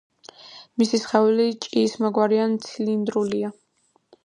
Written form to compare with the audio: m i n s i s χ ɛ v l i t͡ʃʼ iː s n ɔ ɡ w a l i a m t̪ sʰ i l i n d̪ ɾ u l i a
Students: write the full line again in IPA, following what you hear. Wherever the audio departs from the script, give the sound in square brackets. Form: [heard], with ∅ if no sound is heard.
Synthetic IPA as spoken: m i [∅] s i s χ ɛ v l i t͡ʃʼ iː s [m] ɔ ɡ w a [ɾ] i a [n] t̪ sʰ i l i n d̪ ɾ u l i a